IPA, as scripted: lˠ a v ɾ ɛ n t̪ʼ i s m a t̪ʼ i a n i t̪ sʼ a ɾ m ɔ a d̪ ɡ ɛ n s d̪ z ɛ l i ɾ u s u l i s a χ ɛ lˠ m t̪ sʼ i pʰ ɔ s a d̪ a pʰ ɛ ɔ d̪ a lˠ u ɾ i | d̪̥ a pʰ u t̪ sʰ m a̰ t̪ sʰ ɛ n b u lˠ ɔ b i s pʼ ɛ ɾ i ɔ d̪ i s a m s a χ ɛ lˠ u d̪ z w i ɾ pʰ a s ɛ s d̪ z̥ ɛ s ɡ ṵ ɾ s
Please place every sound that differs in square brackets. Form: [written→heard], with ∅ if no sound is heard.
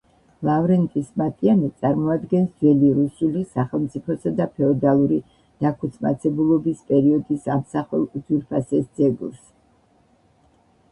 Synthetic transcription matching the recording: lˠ a v ɾ ɛ n t̪ʼ i s m a t̪ʼ i a n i t̪ sʼ a ɾ m ɔ a d̪ ɡ ɛ n s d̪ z ɛ l i ɾ u s u l i s a χ ɛ lˠ m t̪ sʼ i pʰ ɔ s a d̪ a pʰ ɛ ɔ d̪ a lˠ u ɾ i | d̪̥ a [pʰ→kʰ] u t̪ sʰ m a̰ t̪ sʰ ɛ [n→∅] b u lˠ ɔ b i s pʼ ɛ ɾ i ɔ d̪ i s a m s a χ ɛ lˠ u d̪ z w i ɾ pʰ a s ɛ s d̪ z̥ ɛ [s→∅] ɡ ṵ ɾ s